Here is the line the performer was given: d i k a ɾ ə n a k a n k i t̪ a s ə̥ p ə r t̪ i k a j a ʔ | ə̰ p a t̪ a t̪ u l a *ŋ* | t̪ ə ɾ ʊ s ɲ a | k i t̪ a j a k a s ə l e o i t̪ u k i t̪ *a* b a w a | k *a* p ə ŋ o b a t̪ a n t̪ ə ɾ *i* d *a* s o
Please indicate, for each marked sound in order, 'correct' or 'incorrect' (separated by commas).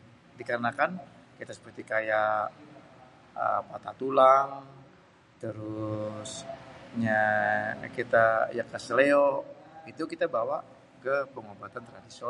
correct, correct, incorrect, incorrect, incorrect